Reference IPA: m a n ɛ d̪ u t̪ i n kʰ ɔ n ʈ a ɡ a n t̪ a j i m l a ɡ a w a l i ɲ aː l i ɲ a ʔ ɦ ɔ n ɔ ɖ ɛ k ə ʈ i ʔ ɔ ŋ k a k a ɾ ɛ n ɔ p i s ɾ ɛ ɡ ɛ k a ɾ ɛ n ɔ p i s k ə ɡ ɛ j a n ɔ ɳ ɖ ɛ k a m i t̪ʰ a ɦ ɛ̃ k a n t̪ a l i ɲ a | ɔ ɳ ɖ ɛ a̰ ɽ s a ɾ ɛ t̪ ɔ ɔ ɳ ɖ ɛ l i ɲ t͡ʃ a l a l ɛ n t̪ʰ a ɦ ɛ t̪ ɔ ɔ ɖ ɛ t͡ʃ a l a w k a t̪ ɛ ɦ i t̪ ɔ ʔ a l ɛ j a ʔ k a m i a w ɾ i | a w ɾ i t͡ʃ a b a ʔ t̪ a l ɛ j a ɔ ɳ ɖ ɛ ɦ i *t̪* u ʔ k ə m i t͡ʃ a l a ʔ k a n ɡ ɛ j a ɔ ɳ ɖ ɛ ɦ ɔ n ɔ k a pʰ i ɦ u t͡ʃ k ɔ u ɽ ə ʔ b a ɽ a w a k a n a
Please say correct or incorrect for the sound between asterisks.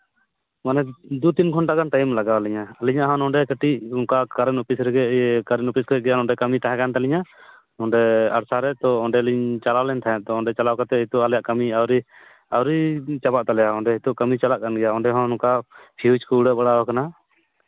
correct